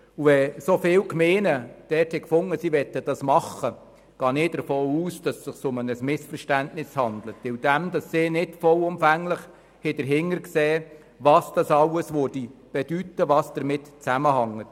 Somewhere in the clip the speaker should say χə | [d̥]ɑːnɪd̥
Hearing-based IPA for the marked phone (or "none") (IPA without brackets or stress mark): ɡ̥